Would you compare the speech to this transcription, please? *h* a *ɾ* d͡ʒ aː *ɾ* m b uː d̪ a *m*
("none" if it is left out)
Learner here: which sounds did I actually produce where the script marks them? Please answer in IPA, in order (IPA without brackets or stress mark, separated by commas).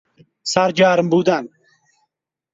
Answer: s, ɾ, ɾ, n